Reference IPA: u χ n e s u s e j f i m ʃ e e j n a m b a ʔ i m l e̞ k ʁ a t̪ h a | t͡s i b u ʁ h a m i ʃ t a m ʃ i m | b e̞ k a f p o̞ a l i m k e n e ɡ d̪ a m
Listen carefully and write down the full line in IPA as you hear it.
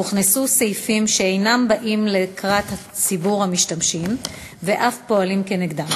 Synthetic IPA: u χ n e s u s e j f i m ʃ e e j n a m b a ʔ i m l e̞ k ʁ a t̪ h a | t͡s i b u ʁ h a m i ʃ t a m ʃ i m | v e̞ ʔ a f p o̞ a l i m k e n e ɡ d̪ a m